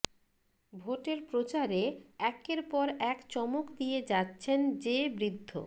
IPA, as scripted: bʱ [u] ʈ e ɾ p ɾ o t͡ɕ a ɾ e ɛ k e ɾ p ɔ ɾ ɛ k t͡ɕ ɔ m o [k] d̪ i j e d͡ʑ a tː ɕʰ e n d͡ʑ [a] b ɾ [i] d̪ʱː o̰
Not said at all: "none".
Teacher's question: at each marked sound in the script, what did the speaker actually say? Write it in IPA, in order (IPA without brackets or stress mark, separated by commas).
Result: o, k, e, i